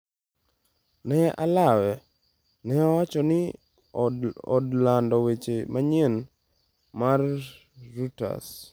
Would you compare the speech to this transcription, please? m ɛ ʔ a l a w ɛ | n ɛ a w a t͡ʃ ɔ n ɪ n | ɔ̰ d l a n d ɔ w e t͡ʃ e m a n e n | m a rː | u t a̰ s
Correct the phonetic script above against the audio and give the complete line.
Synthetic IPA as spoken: n ɛ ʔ a l a w ɛ | n ɛ a w a t͡ʃ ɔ n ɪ | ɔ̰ d l a n d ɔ w e t͡ʃ e m a ɲ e n | m a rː | u t a̰ s